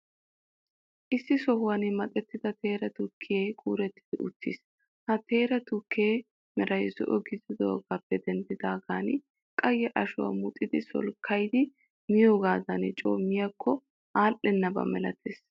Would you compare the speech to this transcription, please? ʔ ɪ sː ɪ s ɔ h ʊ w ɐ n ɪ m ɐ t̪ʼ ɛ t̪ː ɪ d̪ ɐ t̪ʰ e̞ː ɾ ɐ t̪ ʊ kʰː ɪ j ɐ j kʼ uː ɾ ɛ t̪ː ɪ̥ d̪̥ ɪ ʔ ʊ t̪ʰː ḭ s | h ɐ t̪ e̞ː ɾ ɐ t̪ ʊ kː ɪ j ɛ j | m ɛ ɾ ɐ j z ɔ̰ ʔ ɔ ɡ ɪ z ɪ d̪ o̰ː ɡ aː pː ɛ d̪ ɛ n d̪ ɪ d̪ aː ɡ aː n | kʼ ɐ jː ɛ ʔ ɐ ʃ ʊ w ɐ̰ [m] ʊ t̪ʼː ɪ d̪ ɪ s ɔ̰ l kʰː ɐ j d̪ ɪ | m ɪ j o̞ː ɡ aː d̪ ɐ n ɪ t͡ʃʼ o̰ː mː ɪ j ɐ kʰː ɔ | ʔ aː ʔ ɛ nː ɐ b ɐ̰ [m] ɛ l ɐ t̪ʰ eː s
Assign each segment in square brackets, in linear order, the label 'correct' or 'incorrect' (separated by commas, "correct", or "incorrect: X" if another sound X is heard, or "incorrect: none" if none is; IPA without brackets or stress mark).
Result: correct, correct